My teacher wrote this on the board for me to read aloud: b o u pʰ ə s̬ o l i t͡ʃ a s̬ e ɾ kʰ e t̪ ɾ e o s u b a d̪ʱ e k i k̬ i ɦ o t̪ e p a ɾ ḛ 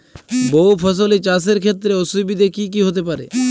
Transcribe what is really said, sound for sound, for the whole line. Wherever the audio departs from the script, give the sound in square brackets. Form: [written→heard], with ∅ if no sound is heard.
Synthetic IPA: b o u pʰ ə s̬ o l i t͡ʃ a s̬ e ɾ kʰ e t̪ ɾ e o s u b [a→i] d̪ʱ e k i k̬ i ɦ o t̪ e p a ɾ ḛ